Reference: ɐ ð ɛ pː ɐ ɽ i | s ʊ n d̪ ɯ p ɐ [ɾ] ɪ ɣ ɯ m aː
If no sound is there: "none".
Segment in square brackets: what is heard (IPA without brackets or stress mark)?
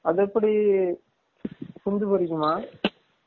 ɾ